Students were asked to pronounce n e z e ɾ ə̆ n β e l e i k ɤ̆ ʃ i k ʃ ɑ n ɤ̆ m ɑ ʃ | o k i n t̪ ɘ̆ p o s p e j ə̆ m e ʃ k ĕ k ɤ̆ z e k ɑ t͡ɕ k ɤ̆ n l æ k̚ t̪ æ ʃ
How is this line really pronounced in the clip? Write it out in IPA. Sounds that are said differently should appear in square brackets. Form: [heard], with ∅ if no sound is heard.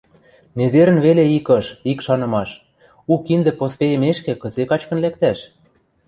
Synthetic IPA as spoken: n e z e ɾ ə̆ n β e l e i k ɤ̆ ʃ i k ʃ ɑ n ɤ̆ m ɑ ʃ | [u] k i n [d̪] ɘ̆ p o s p e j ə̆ m e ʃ k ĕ k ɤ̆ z e k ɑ t͡ɕ k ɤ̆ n l æ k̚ t̪ æ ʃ